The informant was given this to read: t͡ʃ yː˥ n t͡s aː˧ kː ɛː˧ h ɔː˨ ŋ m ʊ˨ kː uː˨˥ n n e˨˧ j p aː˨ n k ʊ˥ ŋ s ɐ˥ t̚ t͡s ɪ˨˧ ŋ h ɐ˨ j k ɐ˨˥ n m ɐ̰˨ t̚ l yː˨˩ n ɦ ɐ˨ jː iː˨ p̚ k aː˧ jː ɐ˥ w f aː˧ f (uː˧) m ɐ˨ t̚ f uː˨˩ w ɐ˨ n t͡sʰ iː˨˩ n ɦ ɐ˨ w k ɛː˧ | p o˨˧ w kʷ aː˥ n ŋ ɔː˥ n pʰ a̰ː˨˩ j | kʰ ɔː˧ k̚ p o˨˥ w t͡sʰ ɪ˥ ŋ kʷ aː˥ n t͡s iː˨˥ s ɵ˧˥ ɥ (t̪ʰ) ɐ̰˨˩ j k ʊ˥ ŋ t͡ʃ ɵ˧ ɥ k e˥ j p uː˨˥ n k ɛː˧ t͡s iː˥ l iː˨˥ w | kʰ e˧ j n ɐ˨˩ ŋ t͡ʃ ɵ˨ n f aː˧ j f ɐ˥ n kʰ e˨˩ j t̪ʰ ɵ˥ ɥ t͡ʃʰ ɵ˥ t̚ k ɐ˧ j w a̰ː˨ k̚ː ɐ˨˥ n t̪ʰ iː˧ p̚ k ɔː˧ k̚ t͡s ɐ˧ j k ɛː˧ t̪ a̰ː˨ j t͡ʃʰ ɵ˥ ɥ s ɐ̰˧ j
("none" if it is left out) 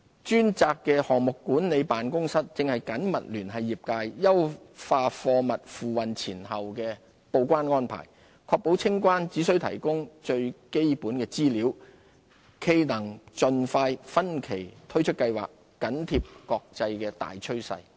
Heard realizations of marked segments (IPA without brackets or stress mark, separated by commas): ɔː˧, t̪ʰ